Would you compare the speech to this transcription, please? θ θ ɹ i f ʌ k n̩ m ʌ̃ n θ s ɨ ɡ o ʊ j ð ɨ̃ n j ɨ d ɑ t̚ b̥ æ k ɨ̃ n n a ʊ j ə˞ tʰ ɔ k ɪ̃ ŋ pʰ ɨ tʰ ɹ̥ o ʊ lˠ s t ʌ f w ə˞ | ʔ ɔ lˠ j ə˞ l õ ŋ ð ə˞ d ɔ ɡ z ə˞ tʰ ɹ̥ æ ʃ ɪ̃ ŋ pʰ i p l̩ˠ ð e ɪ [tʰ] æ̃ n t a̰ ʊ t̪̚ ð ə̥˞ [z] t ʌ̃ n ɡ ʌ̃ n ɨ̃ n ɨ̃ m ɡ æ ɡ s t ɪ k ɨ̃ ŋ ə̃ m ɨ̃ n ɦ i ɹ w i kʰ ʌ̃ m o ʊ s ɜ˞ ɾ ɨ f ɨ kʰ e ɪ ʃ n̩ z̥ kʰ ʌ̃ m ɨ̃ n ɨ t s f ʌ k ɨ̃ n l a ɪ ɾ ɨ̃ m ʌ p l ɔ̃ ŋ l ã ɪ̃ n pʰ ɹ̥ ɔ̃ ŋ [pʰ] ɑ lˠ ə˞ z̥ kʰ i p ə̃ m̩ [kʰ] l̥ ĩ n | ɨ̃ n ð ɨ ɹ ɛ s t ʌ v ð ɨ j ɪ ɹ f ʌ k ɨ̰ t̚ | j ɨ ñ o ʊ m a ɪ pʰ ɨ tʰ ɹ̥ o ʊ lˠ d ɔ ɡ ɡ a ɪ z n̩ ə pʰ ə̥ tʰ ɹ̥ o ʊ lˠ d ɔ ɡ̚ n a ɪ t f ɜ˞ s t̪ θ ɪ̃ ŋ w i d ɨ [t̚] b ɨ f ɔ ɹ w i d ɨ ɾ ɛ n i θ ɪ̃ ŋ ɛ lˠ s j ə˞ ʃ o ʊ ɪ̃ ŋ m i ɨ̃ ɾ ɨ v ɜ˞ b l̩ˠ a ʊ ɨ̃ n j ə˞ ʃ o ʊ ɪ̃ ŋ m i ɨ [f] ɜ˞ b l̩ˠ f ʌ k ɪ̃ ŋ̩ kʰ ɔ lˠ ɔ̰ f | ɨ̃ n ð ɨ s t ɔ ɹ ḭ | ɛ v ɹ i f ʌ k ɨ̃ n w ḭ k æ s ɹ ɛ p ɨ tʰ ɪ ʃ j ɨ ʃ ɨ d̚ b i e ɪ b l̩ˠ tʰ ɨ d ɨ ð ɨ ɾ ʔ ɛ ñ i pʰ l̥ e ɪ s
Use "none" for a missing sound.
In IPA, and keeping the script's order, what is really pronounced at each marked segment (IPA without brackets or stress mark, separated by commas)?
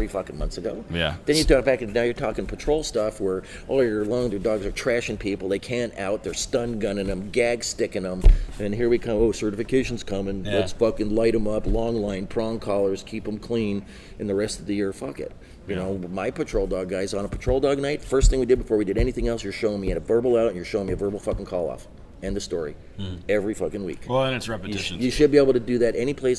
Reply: kʰ, s, kʰ, kʰ, d̚, v